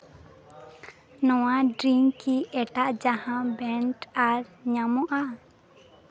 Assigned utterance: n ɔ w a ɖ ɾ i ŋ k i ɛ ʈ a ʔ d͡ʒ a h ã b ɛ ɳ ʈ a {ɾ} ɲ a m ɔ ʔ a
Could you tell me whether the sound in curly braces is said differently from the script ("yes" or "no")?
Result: no